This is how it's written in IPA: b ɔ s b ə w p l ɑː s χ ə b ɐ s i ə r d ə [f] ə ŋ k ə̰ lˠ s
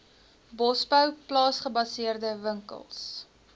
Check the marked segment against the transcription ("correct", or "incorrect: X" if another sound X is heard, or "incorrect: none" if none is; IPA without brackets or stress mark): incorrect: v